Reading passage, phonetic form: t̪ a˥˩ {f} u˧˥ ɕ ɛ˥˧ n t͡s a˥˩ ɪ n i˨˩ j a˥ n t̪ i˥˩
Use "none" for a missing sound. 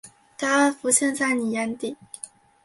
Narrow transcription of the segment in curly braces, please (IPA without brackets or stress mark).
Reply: f